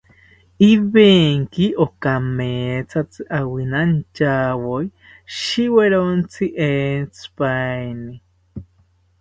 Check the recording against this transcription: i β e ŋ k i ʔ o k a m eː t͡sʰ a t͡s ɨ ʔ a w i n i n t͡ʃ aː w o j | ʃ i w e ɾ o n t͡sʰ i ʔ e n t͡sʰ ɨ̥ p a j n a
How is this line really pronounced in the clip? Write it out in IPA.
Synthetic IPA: i β e ŋ k i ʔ o k a m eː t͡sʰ a t͡s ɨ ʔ a w i n a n t͡ʃ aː w o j | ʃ i w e ɾ o n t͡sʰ i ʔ e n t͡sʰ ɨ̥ p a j n i